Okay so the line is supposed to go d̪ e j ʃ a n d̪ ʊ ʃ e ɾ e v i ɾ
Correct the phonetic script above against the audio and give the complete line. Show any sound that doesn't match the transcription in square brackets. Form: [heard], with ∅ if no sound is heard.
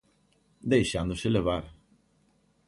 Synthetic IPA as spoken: d̪ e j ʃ a n d̪ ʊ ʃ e [l] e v [a] ɾ

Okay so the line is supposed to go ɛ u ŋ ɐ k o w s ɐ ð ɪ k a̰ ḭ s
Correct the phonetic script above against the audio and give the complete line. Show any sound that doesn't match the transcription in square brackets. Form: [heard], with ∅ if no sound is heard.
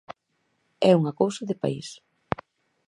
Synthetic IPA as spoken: ɛ u ŋ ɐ k o w s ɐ ð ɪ [p] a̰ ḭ s

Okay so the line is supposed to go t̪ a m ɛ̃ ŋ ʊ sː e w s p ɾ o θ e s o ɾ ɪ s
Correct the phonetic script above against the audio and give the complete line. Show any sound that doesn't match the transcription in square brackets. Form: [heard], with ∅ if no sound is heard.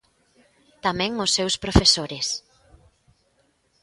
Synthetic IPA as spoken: t̪ a m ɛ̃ ŋ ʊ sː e w s p ɾ o [f] e s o ɾ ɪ s

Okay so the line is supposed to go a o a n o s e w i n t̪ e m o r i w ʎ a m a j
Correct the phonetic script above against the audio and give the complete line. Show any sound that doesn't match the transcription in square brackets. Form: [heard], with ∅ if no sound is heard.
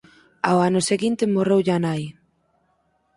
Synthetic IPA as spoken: a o a n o s e [ɣ] i n t̪ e m o r [e] w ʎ a [n] a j

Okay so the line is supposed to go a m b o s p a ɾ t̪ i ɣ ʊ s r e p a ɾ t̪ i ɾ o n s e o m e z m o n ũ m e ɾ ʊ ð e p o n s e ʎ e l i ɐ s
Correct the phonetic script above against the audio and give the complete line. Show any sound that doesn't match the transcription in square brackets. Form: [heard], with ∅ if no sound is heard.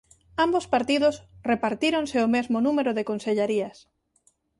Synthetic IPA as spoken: a m b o s p a ɾ t̪ i [ð] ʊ s r e p a ɾ t̪ i ɾ o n s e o m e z m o n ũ m e ɾ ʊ ð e [k] o n s e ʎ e [ɾ] i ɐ s

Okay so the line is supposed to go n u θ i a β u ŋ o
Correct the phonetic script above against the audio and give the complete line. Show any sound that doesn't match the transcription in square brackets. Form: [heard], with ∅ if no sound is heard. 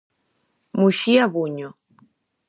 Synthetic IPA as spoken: [m] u [ʃ] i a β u [ɲ] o

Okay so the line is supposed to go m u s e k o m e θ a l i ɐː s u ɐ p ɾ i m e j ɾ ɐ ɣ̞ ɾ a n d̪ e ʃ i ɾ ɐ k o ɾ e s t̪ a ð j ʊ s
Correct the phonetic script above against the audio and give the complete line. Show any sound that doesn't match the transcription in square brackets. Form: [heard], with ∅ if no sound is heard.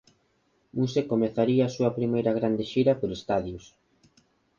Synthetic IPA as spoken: m u s e k o m e θ a [ɾ] i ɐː s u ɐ p ɾ i m e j ɾ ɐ ɣ̞ ɾ a n d̪ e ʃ i ɾ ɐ [p] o ɾ e s t̪ a ð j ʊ s

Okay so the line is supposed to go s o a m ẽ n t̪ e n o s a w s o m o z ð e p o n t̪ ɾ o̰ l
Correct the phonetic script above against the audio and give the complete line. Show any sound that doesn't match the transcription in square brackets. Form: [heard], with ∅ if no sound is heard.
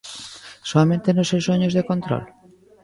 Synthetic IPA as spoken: s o a m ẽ n t̪ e n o s [e] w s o [ɲ] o z ð e [k] o n t̪ ɾ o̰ l

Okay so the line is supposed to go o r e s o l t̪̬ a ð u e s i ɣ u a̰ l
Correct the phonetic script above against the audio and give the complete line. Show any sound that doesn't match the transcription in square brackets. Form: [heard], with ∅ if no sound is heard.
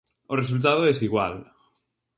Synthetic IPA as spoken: o r e s [u] l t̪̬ a ð [o] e s i ɣ [w] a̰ l

